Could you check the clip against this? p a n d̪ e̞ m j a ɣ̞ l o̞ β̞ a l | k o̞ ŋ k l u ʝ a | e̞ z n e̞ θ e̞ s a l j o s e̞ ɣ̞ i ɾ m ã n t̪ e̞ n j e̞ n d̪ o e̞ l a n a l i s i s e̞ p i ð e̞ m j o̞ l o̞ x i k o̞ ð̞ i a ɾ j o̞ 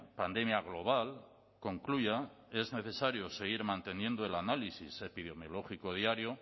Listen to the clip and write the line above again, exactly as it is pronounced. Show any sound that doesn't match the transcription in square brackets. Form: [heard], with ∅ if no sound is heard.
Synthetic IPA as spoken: p a n d̪ e̞ m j a ɣ̞ l o̞ β̞ a l | k o̞ ŋ k l u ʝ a | e̞ z n e̞ θ e̞ s a [ɾ] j o s e̞ ɣ̞ i ɾ m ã n t̪ e̞ n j e̞ n d̪ o e̞ l a n a l i s i s e̞ p i ð e̞ m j o̞ l o̞ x i k o̞ ð̞ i a ɾ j o̞